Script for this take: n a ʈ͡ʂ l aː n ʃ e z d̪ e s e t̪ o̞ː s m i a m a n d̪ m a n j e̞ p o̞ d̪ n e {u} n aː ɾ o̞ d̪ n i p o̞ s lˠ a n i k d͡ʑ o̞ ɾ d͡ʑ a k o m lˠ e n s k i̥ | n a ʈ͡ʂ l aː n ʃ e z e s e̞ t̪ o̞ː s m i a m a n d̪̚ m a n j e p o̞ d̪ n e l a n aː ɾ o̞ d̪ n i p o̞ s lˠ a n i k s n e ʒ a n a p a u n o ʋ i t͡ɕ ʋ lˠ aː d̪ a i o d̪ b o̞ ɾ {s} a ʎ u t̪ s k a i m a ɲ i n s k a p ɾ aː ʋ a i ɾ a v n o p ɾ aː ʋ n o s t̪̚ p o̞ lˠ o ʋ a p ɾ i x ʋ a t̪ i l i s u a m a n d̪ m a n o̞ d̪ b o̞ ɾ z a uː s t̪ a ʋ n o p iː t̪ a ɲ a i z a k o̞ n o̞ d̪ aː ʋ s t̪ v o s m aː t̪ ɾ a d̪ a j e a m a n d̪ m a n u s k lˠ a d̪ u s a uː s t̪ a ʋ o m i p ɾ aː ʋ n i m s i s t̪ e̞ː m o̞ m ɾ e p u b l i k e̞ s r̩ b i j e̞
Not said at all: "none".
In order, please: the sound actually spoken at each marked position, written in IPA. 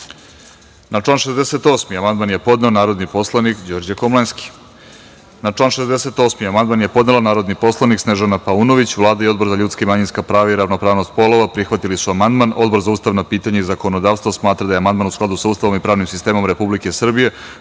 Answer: o, z

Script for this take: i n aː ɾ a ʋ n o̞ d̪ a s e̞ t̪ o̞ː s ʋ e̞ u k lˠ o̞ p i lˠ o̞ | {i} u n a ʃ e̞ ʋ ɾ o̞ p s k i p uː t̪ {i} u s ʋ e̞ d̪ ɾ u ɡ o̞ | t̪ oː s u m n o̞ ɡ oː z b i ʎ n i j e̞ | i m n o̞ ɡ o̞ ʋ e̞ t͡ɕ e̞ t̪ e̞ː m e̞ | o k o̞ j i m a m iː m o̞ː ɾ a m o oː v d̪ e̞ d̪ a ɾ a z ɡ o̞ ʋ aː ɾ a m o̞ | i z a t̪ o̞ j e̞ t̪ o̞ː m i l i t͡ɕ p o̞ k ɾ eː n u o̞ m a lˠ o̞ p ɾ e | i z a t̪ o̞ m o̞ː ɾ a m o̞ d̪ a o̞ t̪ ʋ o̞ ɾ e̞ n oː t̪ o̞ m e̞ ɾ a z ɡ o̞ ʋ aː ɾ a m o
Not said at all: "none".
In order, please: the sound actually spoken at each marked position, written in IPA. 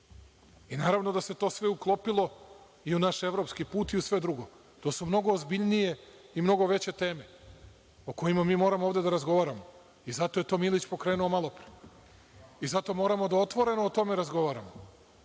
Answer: i, i

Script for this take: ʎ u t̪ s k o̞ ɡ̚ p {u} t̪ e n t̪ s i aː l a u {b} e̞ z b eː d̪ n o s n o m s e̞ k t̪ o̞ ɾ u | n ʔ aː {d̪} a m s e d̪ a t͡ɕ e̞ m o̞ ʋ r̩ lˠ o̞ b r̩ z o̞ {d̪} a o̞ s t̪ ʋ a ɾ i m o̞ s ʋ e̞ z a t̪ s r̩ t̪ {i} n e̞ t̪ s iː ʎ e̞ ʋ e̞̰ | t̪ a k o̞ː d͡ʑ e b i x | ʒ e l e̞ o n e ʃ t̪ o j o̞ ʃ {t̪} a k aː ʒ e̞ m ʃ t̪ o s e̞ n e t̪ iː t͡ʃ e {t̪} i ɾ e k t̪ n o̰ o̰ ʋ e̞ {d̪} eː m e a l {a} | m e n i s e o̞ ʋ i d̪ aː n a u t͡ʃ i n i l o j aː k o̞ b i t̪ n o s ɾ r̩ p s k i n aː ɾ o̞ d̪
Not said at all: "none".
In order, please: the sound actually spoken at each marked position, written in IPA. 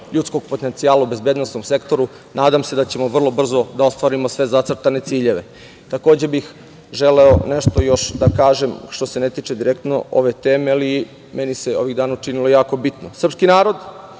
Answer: o, b, d̪, d̪, a, d̪, d̪, t̪, i

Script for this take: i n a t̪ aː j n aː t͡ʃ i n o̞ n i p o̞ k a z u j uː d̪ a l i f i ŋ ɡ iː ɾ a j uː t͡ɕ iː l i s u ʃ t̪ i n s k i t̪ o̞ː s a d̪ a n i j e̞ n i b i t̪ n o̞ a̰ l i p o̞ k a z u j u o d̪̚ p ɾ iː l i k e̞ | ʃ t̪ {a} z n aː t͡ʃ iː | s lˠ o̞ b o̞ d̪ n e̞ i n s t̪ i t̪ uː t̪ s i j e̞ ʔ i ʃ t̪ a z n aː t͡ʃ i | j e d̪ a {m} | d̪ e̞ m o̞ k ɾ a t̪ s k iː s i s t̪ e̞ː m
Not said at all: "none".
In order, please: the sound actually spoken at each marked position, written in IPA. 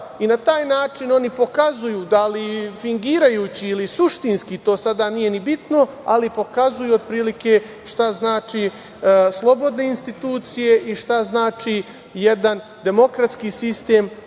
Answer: a, n

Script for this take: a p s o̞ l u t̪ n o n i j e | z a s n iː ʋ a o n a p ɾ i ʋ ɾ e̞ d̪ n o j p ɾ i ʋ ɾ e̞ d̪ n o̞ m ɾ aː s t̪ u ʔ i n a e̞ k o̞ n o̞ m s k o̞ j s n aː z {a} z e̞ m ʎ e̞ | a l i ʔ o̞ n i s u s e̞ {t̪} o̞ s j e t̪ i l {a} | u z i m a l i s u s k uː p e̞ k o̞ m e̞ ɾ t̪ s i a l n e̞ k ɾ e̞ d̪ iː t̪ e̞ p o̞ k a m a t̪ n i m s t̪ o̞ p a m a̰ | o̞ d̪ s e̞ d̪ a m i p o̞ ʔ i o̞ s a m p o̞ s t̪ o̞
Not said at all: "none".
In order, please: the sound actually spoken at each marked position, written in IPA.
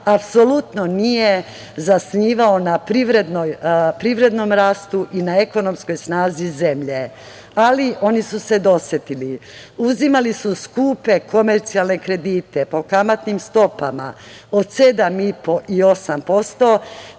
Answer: i, d̪, i

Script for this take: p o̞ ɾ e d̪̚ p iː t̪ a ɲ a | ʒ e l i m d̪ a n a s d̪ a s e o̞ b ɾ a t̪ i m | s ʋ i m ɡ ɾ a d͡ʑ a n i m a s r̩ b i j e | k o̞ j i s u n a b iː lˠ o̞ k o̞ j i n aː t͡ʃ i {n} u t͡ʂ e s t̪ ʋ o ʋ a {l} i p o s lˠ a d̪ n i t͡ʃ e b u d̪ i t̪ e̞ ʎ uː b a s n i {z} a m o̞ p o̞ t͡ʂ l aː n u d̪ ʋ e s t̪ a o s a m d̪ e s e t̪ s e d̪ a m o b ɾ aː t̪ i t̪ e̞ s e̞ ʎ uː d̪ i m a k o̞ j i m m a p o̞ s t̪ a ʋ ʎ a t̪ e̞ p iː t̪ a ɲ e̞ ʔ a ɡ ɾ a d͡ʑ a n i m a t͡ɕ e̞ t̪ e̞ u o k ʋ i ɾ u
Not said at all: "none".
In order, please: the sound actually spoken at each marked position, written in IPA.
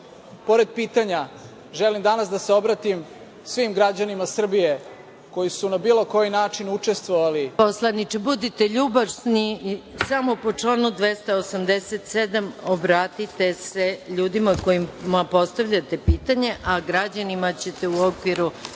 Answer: n, l, s

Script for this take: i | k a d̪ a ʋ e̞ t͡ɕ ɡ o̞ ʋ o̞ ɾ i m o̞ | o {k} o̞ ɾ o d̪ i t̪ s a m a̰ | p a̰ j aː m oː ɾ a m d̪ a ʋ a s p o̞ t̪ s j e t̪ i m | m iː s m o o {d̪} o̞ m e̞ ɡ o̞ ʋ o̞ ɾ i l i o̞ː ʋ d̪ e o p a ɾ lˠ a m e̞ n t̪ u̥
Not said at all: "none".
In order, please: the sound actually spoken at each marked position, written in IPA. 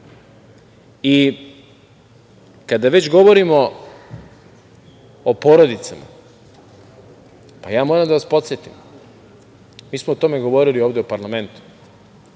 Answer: p, t̪

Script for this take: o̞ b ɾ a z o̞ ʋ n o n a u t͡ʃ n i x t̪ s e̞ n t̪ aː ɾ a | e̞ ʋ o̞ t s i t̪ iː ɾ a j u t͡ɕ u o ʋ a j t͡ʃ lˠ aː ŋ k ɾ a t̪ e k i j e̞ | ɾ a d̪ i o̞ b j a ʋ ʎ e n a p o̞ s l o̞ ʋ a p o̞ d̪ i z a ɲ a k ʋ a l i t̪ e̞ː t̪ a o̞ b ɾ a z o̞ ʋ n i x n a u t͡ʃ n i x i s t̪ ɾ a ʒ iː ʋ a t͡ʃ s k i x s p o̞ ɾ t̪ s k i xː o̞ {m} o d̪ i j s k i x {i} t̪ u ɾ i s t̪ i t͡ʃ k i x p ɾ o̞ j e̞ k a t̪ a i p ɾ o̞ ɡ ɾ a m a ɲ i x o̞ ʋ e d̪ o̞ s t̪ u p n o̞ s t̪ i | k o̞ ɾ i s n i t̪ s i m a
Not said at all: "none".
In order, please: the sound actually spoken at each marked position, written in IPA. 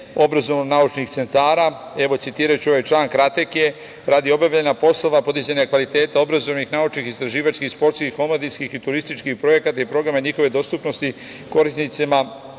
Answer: m, i

